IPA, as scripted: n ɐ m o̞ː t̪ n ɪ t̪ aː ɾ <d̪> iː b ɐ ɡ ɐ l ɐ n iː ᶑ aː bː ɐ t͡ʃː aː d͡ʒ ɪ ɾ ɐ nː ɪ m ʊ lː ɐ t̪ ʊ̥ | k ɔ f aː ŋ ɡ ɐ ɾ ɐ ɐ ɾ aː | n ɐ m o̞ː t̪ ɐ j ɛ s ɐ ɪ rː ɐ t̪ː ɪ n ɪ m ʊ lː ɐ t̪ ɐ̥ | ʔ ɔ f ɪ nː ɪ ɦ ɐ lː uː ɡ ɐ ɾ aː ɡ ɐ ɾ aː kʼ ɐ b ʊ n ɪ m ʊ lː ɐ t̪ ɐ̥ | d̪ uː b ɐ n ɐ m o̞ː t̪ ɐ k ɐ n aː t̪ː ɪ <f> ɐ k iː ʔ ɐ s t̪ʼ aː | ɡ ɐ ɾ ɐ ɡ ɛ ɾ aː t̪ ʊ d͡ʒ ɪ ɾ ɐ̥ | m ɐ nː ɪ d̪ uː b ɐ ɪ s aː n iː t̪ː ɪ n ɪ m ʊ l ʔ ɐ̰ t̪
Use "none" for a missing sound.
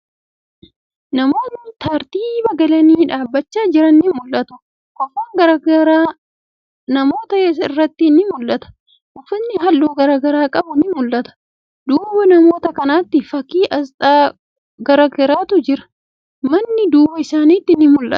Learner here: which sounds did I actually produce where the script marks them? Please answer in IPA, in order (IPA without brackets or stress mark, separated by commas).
t̪, f